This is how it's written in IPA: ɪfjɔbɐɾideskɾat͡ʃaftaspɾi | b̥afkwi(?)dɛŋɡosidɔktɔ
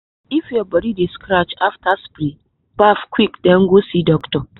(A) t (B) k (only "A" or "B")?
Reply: B